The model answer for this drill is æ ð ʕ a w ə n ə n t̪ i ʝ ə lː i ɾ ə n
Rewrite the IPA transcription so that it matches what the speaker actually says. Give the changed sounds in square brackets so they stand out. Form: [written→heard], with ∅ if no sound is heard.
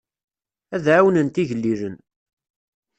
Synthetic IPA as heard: æ ð ʕ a w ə n ə n t̪ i ʝ ə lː i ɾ ə n